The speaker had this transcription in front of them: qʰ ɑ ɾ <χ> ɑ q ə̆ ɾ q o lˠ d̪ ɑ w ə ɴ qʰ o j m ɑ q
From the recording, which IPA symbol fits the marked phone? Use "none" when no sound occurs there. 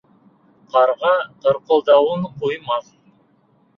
ʁ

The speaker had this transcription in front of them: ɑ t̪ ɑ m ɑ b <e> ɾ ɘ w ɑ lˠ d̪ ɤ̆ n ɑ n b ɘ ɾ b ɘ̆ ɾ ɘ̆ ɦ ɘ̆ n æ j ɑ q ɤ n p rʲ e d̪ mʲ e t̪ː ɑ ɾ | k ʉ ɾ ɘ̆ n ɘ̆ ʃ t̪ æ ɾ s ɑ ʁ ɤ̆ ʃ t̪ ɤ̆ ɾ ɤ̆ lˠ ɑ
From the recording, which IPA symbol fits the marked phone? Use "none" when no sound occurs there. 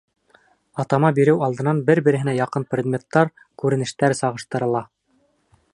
i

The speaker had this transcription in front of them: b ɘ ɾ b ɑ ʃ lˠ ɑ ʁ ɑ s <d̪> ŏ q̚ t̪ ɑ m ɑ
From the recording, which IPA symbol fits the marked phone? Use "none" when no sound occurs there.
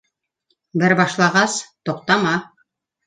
t̪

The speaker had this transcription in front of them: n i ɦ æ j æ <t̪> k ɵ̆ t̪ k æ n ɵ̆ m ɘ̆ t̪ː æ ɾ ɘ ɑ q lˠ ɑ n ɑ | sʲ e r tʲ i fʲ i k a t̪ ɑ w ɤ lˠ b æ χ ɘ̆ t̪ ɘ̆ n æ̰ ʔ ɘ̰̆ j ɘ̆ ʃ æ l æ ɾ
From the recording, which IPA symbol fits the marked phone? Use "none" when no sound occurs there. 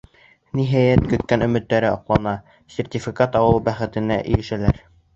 t̪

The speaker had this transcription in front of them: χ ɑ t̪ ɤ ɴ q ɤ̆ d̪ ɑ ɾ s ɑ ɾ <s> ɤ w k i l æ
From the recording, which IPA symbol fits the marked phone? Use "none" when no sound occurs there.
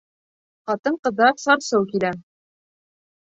s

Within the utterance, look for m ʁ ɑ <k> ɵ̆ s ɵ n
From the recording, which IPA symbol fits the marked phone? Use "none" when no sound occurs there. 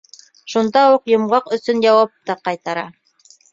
q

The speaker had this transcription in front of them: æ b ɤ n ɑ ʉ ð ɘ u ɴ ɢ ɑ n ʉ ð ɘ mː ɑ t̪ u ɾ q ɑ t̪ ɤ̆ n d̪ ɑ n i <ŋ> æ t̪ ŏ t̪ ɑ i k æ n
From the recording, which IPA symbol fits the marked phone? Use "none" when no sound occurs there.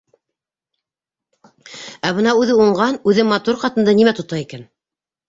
m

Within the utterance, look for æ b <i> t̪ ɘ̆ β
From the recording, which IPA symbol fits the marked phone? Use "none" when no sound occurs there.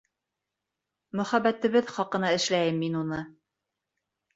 æ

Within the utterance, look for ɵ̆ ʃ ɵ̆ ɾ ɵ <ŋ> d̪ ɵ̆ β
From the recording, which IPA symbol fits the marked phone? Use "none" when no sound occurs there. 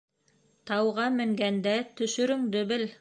ŋ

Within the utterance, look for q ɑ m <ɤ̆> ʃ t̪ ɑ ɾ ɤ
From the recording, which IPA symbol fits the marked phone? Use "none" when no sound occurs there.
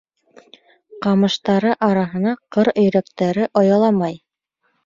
ɤ̆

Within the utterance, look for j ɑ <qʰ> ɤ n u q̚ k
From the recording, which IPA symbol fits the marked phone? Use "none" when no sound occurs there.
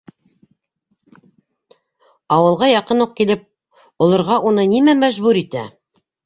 q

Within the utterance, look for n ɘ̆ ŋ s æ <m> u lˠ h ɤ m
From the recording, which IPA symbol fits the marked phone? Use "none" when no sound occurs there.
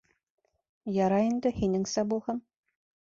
b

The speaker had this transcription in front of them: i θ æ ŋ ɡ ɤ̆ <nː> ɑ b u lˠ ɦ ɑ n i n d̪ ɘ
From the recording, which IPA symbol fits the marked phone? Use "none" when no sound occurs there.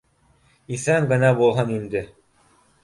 n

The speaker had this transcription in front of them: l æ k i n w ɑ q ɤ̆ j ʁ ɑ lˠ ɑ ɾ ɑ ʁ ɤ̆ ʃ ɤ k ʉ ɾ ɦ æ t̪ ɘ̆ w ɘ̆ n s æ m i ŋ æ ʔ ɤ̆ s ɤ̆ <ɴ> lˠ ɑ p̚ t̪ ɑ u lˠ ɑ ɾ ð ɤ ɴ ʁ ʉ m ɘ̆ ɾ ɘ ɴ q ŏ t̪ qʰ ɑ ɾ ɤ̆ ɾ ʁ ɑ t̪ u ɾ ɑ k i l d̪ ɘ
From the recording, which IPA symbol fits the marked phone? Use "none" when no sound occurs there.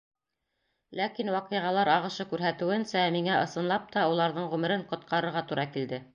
n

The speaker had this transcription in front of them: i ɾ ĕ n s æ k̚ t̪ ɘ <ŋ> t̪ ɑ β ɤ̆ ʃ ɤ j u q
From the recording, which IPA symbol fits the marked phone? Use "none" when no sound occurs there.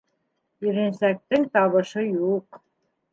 ŋ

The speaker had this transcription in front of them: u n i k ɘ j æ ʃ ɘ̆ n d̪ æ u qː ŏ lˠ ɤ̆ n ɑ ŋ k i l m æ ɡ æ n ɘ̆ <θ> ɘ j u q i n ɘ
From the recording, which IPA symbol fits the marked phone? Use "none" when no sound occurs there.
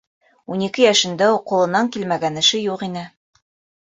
ʃ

